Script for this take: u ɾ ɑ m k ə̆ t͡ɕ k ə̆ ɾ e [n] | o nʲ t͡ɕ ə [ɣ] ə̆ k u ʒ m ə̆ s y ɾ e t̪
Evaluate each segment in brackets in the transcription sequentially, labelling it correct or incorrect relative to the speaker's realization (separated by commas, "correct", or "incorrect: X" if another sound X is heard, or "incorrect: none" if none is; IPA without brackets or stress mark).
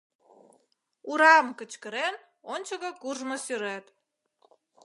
correct, correct